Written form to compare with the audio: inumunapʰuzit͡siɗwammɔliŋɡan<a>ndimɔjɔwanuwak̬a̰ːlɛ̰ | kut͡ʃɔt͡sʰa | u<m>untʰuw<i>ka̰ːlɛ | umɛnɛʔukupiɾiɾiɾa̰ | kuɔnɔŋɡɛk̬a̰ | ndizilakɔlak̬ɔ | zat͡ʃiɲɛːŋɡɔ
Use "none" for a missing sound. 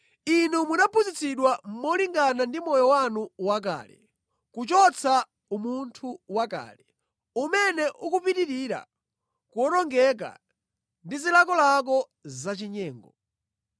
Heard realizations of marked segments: a, m, a

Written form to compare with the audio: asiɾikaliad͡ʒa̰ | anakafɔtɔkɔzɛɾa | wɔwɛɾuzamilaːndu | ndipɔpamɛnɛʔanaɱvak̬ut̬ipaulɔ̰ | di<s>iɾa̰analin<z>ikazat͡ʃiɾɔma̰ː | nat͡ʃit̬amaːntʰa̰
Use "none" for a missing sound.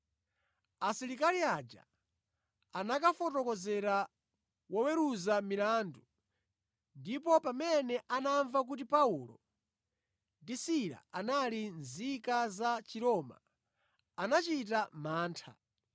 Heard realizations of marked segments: s, z

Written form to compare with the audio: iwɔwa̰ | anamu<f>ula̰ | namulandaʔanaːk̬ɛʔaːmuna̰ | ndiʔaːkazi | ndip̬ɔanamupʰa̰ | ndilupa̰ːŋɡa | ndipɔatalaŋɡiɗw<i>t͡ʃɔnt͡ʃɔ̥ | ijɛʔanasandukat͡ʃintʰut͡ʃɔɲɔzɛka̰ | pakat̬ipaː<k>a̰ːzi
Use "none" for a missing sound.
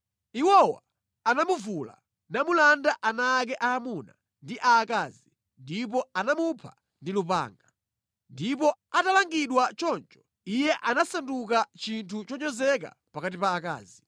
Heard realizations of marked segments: v, a, k

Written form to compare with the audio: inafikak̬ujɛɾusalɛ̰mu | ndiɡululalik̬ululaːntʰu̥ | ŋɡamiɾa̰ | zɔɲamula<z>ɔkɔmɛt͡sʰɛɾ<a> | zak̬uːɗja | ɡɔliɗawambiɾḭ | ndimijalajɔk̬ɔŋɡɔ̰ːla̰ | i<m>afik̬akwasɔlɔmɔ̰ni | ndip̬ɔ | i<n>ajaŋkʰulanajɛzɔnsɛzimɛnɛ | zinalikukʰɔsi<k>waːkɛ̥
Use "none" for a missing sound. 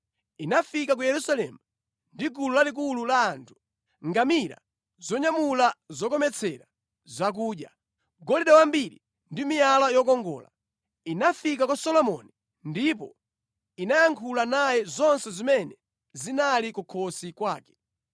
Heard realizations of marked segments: z, a, n, n, k

